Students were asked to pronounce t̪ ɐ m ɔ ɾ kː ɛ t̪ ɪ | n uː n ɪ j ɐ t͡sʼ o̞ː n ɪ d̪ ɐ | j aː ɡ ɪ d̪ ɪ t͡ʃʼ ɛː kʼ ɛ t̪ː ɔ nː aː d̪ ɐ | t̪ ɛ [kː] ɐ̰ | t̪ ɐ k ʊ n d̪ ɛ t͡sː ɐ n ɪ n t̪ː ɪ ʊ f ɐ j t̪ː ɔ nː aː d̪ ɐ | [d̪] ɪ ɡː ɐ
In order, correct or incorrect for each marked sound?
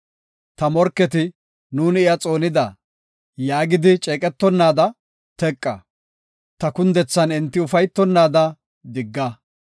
incorrect: kʼː, correct

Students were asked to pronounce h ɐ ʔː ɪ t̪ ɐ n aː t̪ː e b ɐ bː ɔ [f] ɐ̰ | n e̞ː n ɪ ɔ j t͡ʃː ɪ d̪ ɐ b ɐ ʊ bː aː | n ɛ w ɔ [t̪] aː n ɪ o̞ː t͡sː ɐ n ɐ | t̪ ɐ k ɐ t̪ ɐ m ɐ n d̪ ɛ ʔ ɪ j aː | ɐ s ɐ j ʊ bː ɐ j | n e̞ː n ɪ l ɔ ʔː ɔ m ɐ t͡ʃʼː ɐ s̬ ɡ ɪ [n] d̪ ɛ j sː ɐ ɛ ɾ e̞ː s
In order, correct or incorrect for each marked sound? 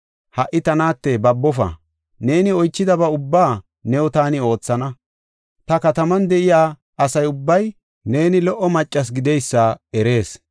correct, correct, incorrect: none

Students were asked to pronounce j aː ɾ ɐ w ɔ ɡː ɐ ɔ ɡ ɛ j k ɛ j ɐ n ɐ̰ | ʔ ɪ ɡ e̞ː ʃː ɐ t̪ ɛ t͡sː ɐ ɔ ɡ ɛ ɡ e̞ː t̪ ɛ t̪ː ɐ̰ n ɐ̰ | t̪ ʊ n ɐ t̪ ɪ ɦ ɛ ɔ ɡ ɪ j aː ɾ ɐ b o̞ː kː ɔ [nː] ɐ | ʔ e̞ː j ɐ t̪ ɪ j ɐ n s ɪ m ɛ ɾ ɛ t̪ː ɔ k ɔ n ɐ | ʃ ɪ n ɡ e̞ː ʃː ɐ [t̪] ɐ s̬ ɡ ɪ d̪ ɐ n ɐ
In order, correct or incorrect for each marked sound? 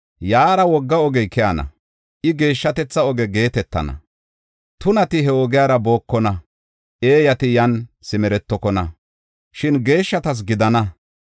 incorrect: n, correct

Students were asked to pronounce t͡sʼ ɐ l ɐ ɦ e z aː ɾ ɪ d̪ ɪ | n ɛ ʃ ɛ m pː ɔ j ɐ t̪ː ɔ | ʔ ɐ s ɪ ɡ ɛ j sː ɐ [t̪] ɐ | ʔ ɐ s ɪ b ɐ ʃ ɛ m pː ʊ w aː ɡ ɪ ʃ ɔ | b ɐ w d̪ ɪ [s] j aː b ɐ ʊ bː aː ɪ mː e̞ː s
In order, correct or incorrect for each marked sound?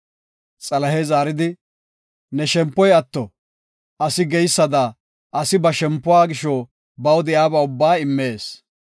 incorrect: d̪, incorrect: none

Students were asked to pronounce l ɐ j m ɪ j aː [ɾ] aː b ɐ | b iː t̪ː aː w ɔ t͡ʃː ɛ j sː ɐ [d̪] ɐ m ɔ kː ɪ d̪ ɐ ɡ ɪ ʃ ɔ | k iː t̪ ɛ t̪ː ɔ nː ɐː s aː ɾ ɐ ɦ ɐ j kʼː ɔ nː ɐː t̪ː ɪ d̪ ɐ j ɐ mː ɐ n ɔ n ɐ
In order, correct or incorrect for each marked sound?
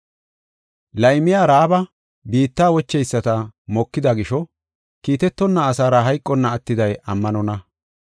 correct, incorrect: t̪

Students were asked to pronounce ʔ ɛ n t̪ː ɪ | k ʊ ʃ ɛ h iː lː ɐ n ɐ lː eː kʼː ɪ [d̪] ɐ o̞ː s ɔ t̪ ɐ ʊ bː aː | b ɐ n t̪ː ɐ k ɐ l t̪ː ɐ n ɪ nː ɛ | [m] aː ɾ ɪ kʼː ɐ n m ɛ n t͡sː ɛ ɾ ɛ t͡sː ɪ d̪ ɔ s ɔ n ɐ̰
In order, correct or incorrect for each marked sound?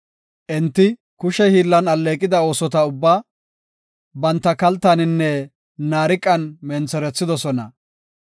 correct, incorrect: n

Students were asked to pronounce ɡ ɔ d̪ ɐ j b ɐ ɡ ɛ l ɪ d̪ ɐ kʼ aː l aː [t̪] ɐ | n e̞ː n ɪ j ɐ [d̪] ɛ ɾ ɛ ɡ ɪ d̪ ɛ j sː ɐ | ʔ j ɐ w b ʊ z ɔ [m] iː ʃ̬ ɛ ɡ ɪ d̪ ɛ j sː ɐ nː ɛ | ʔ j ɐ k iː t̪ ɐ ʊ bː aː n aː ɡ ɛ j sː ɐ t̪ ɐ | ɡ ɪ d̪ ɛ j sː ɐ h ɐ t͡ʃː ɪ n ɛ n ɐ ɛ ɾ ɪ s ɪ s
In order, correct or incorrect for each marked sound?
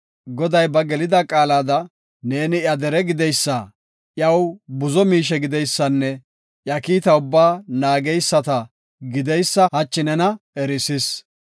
incorrect: d̪, correct, correct

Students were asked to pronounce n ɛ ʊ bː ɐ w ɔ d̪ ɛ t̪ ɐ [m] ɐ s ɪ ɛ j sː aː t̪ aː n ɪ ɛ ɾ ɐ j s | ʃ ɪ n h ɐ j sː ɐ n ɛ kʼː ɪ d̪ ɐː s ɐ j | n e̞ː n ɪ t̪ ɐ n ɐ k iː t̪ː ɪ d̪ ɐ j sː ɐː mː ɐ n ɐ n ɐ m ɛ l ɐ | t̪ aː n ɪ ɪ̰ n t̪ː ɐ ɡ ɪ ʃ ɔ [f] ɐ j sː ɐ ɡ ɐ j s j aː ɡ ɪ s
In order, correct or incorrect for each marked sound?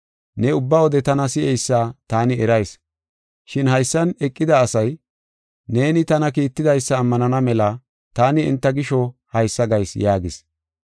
incorrect: n, incorrect: h

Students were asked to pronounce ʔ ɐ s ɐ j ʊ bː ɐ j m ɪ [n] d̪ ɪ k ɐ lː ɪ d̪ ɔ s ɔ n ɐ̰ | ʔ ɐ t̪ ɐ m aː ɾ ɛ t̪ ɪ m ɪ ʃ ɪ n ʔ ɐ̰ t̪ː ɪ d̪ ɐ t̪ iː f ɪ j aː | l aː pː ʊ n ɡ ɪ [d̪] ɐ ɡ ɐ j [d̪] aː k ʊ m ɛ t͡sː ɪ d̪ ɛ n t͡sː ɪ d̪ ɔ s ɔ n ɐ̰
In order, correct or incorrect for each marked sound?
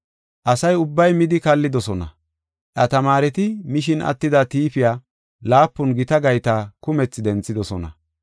incorrect: none, incorrect: t̪, incorrect: t̪

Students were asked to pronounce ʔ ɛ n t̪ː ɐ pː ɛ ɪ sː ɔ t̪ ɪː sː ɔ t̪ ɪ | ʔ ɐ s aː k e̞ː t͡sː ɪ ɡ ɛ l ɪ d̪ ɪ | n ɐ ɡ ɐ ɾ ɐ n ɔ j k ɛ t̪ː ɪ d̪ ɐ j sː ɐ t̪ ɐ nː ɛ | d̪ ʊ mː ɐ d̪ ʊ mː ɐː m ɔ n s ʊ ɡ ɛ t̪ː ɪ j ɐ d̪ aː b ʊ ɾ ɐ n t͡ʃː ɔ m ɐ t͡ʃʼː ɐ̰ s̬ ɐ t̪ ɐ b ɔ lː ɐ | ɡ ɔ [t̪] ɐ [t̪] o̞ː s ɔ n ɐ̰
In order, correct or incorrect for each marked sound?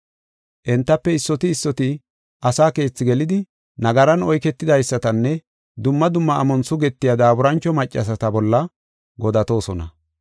incorrect: d̪, correct

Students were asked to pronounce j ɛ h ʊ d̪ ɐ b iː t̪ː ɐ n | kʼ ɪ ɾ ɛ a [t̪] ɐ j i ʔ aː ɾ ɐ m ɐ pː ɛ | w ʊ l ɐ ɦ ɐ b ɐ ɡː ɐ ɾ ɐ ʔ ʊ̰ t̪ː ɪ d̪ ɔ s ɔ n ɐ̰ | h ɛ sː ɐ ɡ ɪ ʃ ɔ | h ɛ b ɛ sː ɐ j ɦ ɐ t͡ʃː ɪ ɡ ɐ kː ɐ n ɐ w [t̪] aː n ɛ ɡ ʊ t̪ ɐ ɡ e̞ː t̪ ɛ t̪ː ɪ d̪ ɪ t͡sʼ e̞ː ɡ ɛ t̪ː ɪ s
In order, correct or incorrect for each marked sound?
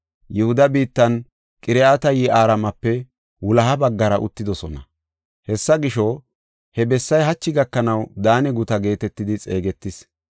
correct, incorrect: d̪

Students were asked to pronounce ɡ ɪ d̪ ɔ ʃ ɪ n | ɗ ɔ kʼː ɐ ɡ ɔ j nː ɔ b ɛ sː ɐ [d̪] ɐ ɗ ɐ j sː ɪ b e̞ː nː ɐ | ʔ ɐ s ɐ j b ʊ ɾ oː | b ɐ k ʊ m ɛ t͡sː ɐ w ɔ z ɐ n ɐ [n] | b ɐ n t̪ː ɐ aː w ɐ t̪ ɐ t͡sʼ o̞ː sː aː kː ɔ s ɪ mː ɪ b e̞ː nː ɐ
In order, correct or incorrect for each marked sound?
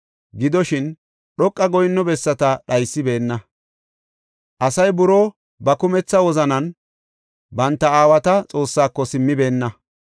incorrect: t̪, correct

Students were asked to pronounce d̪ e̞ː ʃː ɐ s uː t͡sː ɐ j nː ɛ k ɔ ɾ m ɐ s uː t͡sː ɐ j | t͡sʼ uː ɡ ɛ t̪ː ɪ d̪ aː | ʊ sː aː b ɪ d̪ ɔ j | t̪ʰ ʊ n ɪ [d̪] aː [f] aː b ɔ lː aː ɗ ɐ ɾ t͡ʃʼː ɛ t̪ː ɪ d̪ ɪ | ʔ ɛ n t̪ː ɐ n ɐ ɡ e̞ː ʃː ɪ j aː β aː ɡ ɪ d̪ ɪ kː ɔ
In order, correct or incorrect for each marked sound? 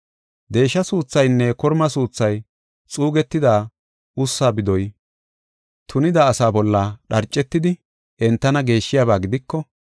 correct, incorrect: s

